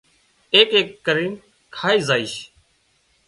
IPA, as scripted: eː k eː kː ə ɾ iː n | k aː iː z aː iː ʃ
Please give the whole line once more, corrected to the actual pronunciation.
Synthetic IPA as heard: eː k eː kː ə ɾ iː n | kʰ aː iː z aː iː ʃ